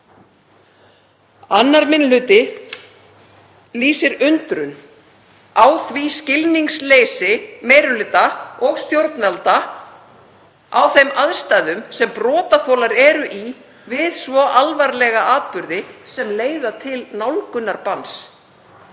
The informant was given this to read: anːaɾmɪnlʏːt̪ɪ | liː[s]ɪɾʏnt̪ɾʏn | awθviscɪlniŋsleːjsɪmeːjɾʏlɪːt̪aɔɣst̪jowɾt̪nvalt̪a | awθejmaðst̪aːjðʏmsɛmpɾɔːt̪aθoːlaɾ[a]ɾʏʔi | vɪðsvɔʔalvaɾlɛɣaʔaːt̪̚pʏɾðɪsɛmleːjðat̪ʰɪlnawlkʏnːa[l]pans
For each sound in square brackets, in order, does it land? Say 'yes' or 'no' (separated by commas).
yes, no, no